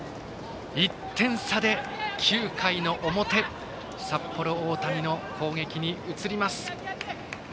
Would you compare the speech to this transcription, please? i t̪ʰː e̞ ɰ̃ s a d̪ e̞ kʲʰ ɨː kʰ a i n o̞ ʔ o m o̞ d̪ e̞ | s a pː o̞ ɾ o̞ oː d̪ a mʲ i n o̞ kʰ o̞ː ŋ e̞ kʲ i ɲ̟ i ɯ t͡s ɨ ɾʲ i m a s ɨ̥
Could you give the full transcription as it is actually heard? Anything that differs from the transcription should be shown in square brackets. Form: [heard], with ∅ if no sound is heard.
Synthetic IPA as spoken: i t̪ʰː [ẽ̞] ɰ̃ s a d̪ e̞ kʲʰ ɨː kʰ a i n o̞ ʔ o m o̞ [t̪] e̞ | s a pː o̞ ɾ o̞ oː [t̪] a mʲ i n o̞ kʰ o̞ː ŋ e̞ kʲ i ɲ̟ i ɯ t͡s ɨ ɾʲ i m a s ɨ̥